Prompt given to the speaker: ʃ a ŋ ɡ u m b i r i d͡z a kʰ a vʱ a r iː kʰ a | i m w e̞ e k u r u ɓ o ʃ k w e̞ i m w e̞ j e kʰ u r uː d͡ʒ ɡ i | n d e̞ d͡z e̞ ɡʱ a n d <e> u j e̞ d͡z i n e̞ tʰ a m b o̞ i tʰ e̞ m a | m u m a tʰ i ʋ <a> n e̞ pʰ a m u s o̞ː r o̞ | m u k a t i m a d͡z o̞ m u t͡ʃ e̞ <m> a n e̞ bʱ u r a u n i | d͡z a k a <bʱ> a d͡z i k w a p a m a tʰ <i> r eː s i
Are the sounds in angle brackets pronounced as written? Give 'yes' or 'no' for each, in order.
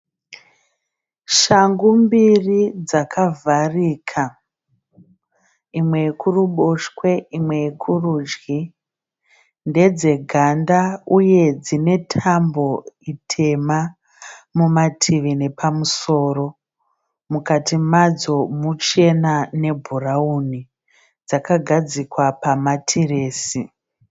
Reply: no, no, no, no, yes

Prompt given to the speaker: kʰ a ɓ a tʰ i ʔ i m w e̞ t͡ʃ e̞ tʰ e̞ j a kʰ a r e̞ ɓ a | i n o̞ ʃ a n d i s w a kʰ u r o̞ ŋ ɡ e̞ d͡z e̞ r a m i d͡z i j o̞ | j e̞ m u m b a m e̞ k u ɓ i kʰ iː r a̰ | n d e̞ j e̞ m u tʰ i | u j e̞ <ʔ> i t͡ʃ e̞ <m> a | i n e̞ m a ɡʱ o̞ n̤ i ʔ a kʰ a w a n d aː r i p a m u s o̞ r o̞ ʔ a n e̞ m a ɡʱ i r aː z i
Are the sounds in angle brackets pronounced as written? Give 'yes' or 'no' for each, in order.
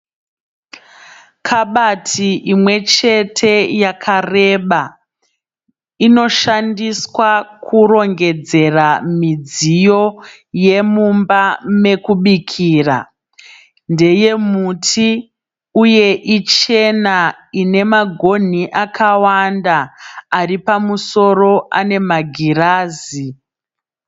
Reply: yes, no

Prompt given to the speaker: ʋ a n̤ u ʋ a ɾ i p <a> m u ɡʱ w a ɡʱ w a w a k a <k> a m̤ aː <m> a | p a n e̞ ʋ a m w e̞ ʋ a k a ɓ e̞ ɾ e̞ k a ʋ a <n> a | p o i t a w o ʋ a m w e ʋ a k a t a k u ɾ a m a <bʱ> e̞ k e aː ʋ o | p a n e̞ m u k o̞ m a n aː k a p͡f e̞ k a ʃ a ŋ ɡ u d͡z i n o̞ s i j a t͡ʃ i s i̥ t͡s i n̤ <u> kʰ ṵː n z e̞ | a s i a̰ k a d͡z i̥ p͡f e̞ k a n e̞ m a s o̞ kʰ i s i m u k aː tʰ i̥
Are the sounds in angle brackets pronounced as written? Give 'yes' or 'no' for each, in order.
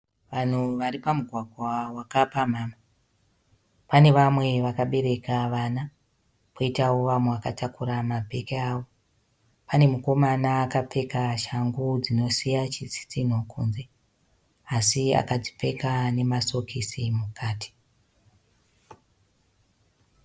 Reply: yes, no, yes, yes, yes, no

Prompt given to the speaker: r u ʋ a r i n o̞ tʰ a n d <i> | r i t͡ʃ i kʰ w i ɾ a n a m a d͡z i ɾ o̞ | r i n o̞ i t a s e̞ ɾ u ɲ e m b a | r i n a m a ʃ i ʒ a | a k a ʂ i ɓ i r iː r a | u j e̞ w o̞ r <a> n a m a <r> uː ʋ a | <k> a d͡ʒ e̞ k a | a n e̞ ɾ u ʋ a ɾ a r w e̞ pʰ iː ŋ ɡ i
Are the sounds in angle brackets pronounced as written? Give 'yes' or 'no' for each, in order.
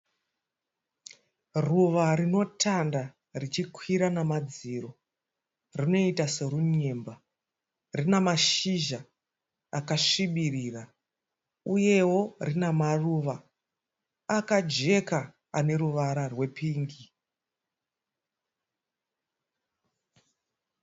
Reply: no, no, yes, yes

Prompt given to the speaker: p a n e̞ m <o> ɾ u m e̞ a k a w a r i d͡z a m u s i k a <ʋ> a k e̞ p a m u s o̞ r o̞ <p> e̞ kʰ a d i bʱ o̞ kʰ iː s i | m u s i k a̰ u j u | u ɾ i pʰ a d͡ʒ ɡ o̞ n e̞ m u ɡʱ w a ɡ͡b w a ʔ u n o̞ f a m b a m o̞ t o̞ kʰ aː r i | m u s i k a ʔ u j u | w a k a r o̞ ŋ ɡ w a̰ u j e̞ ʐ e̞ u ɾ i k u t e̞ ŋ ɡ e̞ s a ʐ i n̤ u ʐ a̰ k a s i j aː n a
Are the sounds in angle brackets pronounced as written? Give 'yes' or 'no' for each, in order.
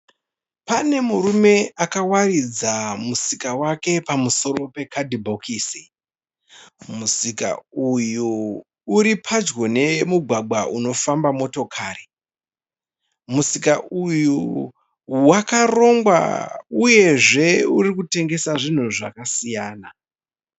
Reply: no, no, yes

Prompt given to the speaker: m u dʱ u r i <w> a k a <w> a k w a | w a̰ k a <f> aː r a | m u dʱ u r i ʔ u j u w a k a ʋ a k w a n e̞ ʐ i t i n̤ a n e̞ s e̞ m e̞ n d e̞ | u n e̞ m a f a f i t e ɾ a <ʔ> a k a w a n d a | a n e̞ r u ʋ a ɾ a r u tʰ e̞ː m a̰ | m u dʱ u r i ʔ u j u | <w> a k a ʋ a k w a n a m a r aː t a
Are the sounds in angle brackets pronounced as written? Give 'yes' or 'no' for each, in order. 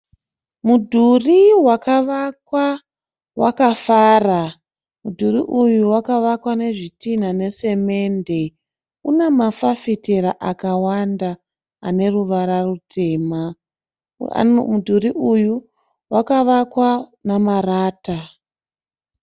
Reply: yes, no, yes, yes, yes

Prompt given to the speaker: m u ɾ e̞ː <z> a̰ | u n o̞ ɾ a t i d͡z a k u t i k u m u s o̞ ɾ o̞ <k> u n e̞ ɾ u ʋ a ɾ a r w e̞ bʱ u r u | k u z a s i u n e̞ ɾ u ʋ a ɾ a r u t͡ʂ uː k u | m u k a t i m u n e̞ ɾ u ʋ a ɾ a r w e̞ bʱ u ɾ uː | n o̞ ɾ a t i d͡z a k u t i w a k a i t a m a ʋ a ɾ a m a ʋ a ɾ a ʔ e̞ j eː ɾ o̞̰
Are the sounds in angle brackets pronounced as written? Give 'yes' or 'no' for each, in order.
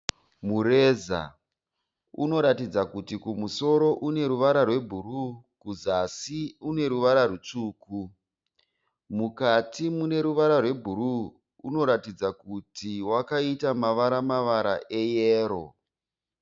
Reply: yes, no

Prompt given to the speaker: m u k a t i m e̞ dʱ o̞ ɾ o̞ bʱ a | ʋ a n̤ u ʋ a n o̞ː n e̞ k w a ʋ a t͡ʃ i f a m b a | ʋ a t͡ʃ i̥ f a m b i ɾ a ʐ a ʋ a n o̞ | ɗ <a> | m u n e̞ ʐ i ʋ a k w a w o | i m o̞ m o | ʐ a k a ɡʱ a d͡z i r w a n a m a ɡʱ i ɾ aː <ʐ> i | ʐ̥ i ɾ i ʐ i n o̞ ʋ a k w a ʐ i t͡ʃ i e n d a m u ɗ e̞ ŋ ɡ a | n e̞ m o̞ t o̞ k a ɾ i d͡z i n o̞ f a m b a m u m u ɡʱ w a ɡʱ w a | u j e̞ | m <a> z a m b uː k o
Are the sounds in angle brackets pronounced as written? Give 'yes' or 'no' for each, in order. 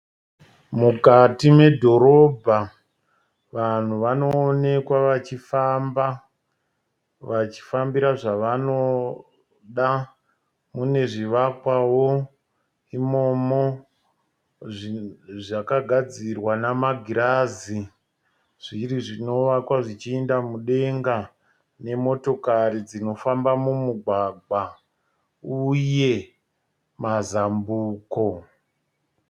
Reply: yes, no, yes

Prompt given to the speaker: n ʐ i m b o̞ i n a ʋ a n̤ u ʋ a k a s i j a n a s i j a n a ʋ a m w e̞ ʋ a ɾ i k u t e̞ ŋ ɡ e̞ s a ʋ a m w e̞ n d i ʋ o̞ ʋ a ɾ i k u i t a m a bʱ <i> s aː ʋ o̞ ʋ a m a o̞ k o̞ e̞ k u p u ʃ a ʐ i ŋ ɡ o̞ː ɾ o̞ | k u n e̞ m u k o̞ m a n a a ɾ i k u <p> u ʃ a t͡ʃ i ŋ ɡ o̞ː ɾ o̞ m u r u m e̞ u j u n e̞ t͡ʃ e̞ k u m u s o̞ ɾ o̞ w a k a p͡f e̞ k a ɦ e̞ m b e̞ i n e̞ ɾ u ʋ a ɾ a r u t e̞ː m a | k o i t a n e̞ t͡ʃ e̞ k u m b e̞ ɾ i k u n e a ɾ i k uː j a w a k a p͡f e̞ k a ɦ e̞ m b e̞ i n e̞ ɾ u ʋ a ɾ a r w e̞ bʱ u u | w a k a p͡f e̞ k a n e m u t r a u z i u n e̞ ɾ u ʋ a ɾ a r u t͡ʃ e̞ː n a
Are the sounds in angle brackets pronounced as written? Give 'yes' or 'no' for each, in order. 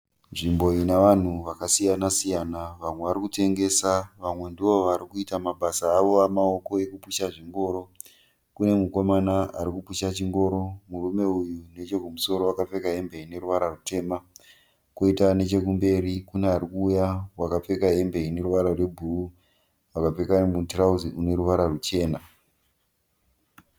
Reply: no, yes

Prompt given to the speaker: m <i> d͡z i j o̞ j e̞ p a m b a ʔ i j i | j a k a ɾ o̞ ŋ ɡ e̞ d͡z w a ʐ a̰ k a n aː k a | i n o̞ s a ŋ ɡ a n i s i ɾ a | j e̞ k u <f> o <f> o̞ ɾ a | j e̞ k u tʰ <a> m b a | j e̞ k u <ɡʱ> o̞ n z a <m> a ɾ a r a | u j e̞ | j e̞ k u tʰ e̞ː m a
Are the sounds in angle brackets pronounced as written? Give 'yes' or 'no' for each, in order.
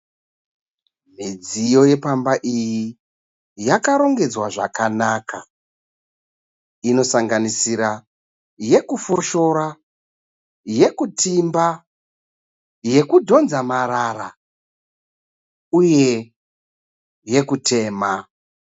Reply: yes, yes, no, no, no, yes

